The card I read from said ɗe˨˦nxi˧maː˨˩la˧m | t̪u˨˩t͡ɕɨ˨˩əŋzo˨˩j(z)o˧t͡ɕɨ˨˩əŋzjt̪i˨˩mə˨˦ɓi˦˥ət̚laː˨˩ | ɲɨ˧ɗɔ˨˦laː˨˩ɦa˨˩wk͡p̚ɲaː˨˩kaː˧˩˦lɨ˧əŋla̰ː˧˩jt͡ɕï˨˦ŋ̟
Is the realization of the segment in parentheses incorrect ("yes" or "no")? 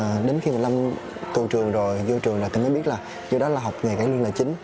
no